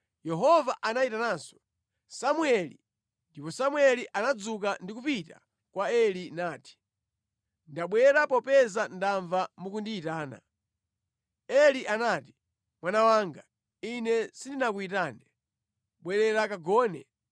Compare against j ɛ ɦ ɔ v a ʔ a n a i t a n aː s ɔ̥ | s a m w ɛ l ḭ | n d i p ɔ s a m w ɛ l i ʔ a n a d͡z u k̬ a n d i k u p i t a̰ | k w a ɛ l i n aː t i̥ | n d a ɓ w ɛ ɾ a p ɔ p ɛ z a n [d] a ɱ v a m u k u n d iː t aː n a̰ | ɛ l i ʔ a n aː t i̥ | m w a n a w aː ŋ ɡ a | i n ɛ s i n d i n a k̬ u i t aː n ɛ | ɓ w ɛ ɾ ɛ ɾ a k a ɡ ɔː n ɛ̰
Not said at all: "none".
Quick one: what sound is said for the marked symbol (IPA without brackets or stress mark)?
d